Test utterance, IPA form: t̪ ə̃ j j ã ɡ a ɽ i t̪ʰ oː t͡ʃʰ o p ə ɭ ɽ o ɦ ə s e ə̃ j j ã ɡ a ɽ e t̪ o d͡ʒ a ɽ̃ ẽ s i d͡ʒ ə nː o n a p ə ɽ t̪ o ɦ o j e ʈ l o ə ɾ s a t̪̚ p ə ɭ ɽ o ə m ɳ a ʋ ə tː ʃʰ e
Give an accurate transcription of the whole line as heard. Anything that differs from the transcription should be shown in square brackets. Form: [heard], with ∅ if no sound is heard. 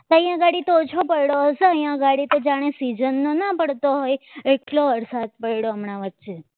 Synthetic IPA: t̪ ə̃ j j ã ɡ a ɽ i [t̪] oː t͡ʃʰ o p ə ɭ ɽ o ɦ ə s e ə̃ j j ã ɡ a ɽ [i] t̪ o d͡ʒ a ɽ̃ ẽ s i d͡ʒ ə nː o n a p ə ɽ t̪ o ɦ o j e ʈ l o ə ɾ s a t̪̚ p ə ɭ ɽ o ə m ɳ a ʋ ə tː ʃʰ e

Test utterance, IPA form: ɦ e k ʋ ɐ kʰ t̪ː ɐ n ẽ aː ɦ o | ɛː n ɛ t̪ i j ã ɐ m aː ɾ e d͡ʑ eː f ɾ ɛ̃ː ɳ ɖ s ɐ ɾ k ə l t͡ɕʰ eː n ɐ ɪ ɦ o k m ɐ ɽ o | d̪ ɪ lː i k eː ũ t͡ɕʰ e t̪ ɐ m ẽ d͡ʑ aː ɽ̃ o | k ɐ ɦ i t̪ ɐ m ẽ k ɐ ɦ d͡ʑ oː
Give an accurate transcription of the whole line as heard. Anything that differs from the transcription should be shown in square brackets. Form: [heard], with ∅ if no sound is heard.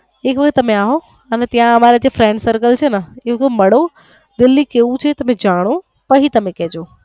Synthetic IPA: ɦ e k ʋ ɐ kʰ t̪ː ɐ [m] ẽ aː ɦ o | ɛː n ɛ t̪ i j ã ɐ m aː ɾ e d͡ʑ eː f ɾ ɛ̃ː ɳ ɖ s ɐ ɾ k ə l t͡ɕʰ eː n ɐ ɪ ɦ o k m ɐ ɽ o | d̪ ɪ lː i k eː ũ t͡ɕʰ e t̪ ɐ m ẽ d͡ʑ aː ɽ̃ o | [p] ɐ ɦ i t̪ ɐ m ẽ k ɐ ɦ d͡ʑ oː

